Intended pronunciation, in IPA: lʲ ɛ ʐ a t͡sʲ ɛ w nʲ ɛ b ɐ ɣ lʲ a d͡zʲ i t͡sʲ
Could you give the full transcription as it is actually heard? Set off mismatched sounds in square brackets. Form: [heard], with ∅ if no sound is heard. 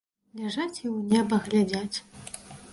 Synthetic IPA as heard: lʲ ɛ ʐ a t͡sʲ [i] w nʲ ɛ b ɐ ɣ lʲ a d͡zʲ [a] t͡sʲ